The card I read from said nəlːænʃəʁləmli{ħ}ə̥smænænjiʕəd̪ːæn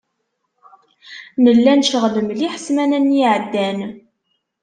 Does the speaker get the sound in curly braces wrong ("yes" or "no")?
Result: no